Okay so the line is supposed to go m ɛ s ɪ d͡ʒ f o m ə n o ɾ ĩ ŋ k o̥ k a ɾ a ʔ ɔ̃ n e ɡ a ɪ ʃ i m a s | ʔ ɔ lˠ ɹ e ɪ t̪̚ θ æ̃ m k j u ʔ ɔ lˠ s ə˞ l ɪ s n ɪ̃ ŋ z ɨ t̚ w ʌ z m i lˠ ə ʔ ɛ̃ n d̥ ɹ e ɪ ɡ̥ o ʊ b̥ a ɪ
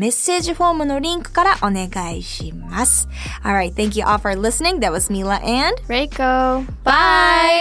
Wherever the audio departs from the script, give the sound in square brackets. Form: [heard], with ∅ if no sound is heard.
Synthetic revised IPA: m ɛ s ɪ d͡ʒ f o m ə n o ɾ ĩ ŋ k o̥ k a ɾ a ʔ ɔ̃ n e ɡ a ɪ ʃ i m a s | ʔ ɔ lˠ ɹ [a] ɪ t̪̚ θ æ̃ [ŋ] k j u ʔ ɔ lˠ [f] ə˞ l ɪ s n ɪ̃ ŋ [ð] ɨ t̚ w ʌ z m i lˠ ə ʔ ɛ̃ n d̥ ɹ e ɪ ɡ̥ o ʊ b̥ a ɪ